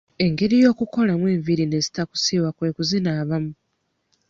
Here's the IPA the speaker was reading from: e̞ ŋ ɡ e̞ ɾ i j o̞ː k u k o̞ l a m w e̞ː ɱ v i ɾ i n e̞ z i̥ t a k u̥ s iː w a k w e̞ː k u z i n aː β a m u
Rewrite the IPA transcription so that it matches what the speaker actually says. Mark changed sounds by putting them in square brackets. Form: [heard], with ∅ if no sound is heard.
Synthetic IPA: e̞ ŋ ɡ e̞ ɾ i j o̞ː k u k o̞ l a m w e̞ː ɱ v i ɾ i n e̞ z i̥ t a k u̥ s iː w a k w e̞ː k u z i n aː β a m u